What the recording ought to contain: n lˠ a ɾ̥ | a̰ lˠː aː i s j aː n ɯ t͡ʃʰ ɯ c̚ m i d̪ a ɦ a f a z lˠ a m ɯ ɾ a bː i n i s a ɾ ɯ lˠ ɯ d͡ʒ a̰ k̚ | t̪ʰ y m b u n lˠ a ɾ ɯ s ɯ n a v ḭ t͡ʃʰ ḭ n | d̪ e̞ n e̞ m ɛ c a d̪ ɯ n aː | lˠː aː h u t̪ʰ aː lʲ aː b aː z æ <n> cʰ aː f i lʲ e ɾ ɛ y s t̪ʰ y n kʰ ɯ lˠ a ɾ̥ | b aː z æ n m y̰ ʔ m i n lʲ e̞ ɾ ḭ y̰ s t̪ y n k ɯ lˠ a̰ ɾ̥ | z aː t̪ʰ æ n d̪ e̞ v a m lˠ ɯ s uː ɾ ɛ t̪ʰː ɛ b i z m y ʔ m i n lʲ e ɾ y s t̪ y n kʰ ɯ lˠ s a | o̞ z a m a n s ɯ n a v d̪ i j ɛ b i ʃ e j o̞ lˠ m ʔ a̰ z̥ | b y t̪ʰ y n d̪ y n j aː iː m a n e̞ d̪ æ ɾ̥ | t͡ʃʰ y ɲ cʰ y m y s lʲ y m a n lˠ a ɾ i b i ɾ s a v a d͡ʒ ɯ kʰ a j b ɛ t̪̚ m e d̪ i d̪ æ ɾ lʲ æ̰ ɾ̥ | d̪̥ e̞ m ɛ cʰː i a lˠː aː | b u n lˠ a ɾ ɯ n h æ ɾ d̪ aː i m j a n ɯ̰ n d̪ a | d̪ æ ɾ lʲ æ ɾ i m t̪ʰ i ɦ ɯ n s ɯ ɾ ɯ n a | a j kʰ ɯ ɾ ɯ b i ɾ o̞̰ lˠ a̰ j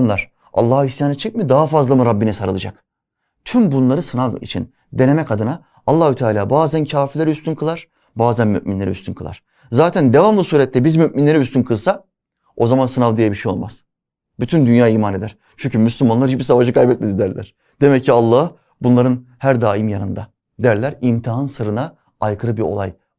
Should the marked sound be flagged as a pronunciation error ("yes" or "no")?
no